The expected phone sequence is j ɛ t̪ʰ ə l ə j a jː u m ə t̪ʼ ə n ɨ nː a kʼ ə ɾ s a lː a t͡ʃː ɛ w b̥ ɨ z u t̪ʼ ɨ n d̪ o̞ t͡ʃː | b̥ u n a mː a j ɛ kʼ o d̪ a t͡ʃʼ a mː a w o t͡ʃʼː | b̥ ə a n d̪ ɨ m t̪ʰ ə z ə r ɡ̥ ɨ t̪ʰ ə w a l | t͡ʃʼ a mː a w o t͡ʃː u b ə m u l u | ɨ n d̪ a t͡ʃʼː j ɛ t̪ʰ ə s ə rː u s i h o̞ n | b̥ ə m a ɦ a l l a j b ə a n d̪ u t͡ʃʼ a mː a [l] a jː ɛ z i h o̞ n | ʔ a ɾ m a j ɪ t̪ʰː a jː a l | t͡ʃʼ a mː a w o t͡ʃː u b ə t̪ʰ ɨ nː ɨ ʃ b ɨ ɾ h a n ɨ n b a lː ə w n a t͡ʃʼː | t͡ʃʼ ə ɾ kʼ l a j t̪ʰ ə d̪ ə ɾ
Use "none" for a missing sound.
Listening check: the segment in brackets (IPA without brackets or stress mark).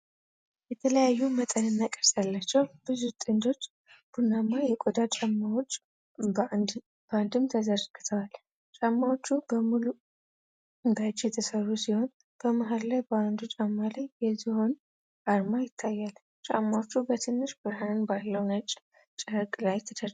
l